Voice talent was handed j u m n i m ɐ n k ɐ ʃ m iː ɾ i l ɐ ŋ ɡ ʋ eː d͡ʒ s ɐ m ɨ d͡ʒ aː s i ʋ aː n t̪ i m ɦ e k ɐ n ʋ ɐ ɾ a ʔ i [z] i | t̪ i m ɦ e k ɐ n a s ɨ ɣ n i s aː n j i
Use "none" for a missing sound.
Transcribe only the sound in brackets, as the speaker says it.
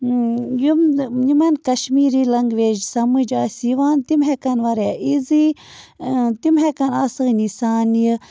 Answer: z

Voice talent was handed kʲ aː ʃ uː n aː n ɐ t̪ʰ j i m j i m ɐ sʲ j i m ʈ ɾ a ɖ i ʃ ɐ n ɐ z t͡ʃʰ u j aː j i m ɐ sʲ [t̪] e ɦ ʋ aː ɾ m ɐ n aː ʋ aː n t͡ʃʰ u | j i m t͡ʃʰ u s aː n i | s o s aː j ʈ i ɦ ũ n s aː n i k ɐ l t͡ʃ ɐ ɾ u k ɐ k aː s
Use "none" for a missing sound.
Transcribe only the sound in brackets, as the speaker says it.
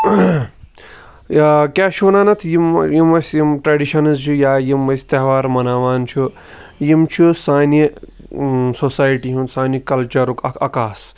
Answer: t̪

